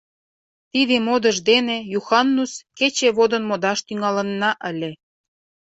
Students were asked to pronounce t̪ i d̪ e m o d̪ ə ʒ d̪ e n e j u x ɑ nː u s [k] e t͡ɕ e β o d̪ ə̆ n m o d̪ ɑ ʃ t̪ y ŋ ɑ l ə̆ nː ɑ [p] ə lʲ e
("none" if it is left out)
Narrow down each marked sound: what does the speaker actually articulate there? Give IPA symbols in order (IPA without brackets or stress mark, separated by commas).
k, ʔ